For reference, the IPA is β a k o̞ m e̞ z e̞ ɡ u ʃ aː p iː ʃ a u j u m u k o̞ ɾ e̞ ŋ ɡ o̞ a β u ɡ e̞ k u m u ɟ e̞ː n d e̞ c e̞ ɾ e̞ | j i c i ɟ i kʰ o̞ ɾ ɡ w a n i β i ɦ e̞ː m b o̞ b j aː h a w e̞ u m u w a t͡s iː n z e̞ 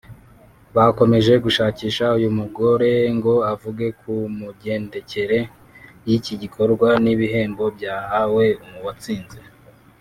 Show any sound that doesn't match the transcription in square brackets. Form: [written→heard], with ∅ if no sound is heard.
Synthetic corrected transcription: β a k o̞ m e̞ [z→ʒ] e̞ ɡ u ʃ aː [p→c] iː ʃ a u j u m u [k→ɡ] o̞ ɾ e̞ ŋ ɡ o̞ a [β→v] u ɡ e̞ k u m u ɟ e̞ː n d e̞ c e̞ ɾ e̞ | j i c i ɟ i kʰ o̞ ɾ ɡ w a n i β i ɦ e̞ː m b o̞ b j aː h a w e̞ u m u w a t͡s iː n z e̞